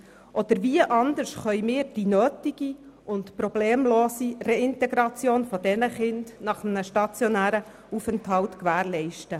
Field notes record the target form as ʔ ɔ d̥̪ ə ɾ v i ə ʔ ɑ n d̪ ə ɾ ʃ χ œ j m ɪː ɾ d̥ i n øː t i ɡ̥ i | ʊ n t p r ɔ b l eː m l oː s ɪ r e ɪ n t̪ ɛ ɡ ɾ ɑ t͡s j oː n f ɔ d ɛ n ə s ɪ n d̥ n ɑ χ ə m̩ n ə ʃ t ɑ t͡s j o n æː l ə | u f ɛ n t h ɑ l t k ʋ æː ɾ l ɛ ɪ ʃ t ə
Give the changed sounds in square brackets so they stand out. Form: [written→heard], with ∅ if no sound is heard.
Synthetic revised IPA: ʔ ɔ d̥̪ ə ɾ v i ə ʔ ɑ n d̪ ə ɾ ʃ χ œ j m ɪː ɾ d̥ i n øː t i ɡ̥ i | ʊ n t p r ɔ b l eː m l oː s [ɪ→i] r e ɪ n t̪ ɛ ɡ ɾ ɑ t͡s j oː n f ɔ d ɛ n ə [s→χ] ɪ n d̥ n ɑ χ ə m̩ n ə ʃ t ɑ t͡s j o n æː [l→ɾ] ə | u f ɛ n t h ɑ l t k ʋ æː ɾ l ɛ ɪ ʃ t ə

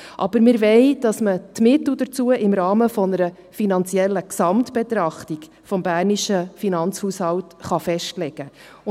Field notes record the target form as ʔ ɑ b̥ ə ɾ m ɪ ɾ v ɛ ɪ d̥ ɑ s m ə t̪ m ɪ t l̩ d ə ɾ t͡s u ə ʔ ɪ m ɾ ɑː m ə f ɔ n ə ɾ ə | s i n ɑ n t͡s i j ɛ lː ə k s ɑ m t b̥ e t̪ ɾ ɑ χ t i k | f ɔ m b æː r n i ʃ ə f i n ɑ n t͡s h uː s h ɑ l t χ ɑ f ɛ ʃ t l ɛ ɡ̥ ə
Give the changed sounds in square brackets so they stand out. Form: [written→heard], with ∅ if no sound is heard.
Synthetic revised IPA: ʔ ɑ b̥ ə ɾ m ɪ ɾ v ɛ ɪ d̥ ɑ s m ə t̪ m ɪ t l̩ d ə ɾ t͡s u ə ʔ ɪ m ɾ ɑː m ə f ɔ n ə ɾ ə | [s→f] i n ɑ n t͡s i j ɛ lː ə k s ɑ m t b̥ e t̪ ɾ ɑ χ t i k | f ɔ m b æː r n i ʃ ə f i n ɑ n t͡s h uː s h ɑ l t χ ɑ f ɛ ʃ t l ɛ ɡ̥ ə

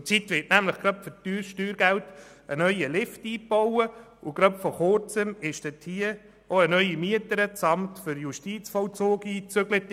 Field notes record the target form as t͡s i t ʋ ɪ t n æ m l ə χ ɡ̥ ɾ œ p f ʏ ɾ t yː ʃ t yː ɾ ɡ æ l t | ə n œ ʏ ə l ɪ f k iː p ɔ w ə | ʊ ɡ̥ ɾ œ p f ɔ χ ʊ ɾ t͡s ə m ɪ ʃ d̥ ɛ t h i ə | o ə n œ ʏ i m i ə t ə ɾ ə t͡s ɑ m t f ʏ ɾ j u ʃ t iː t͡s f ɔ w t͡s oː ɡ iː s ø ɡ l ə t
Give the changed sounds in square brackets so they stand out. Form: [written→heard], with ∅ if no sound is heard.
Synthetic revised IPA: t͡s i t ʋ ɪ t n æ m l ə χ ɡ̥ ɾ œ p f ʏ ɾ t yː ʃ t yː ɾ ɡ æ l t | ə n œ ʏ ə l ɪ f [k→t] iː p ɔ w ə | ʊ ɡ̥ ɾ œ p f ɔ χ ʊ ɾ t͡s ə m ɪ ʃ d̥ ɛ t h i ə | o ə n œ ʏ i m i ə t ə ɾ ə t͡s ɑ m t f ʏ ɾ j u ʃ t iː t͡s f ɔ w t͡s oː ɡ iː [s→t͡s] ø ɡ l ə t

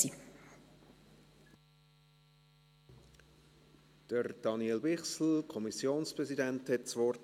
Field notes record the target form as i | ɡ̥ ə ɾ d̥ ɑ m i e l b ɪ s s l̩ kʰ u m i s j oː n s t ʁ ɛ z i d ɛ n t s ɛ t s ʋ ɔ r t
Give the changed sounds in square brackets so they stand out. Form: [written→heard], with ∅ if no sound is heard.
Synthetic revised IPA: i | [ɡ̥→d̥] ə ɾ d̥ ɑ [m→n] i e l b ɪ [s→χ] s l̩ kʰ [u→ɔ] m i s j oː n s [t→p] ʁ ɛ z i d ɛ n t [s→h] ɛ t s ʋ ɔ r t

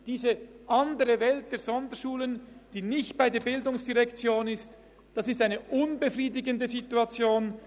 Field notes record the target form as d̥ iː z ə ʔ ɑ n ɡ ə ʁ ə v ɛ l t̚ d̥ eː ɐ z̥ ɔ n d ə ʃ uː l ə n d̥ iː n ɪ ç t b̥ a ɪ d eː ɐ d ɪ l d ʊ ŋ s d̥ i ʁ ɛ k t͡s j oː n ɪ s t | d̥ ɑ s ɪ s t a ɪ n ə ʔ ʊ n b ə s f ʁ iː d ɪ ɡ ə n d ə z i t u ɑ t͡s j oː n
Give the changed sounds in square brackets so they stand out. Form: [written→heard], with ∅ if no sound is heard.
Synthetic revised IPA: d̥ iː z ə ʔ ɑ n [ɡ→d] ə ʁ ə v ɛ l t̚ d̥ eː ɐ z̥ ɔ n d ə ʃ uː l ə n d̥ iː n ɪ ç t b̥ a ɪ d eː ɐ [d→b] ɪ l d ʊ ŋ s d̥ i ʁ ɛ k t͡s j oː n ɪ s t | d̥ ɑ s ɪ s t a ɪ n ə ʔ ʊ n b ə [s→∅] f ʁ iː d ɪ ɡ ə n d ə z i t u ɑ t͡s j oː n

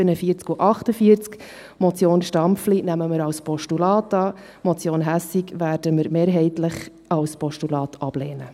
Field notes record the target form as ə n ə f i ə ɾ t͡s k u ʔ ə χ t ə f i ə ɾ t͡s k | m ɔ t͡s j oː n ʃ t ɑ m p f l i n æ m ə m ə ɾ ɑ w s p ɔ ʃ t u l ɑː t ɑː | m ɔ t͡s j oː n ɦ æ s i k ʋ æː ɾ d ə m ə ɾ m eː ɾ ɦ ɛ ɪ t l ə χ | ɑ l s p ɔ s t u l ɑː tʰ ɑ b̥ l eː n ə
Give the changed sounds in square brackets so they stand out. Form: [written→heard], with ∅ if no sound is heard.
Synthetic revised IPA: ə n ə f i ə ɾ t͡s k u ʔ [ə→ɑ] χ t ə f i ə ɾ t͡s k | m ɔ t͡s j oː n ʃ t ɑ m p f l i n æ m ə m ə ɾ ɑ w s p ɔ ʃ t u l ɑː t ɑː | m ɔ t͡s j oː n ɦ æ s i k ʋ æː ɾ d ə m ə ɾ m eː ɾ ɦ ɛ ɪ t l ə χ | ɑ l s p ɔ [s→ʃ] t u l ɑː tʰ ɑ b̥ l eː n ə

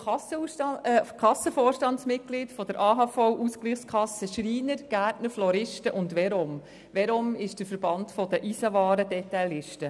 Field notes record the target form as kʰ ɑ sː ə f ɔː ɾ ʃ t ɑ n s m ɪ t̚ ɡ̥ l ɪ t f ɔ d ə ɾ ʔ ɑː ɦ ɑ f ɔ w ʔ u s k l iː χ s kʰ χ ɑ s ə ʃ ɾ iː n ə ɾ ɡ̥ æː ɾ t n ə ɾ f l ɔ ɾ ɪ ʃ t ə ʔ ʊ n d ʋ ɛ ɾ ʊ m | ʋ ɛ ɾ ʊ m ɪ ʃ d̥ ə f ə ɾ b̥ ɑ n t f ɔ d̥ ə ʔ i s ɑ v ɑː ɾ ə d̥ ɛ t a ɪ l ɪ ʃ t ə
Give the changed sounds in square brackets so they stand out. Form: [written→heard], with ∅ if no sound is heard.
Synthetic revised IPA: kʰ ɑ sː ə f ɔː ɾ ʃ t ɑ n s m ɪ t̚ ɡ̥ l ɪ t f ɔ d ə ɾ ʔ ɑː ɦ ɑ f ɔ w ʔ u s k l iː χ s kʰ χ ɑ s ə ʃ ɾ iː n ə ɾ ɡ̥ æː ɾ t n ə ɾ f l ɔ ɾ ɪ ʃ t ə ʔ ʊ n d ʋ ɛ ɾ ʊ m | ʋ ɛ ɾ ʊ m ɪ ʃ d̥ ə f ə ɾ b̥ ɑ n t f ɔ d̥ ə ʔ i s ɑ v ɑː ɾ ə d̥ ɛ t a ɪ l ɪ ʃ t ə

